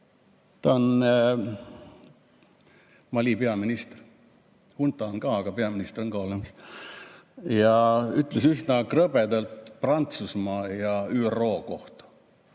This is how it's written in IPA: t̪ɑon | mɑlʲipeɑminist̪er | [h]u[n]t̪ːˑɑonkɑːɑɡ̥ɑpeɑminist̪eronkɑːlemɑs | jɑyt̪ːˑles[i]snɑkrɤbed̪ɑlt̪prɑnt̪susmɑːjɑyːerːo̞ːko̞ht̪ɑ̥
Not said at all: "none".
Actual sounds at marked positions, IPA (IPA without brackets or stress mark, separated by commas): h, n, y